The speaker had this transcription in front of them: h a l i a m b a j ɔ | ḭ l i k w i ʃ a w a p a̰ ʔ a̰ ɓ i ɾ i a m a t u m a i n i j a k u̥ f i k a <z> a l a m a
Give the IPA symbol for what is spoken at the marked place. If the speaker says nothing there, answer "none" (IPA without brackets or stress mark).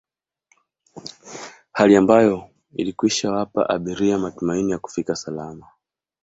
s